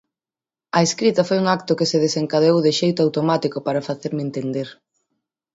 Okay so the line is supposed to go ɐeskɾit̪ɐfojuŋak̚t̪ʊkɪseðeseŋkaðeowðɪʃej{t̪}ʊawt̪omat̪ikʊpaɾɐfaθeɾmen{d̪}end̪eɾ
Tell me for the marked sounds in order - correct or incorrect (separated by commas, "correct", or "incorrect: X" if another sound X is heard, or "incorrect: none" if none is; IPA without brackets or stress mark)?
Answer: correct, incorrect: t̪